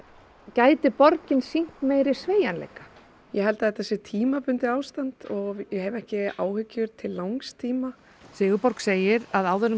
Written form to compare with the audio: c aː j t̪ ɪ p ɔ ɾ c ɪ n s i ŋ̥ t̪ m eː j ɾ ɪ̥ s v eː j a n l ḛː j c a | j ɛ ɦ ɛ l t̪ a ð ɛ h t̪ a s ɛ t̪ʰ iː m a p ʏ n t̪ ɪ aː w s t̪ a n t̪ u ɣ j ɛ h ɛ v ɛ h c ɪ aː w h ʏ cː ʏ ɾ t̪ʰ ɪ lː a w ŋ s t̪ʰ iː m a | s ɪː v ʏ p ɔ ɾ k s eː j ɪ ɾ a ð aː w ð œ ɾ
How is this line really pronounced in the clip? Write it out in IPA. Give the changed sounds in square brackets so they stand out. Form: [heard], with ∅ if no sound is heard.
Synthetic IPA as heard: c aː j t̪ ɪ p ɔ ɾ c ɪ n s i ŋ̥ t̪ m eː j ɾ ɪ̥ s v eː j a n l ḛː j [k] a | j ɛ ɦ ɛ l t̪ a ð ɛ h t̪ a s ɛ t̪ʰ iː m a p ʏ n t̪ ɪ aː w s t̪ a n t̪ [ɔ] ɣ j ɛ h ɛ v ɛ h c ɪ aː w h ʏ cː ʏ ɾ t̪ʰ ɪ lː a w ŋ s t̪ʰ iː m a | s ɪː [ɣ] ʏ p ɔ ɾ k s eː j ɪ ɾ a ð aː w ð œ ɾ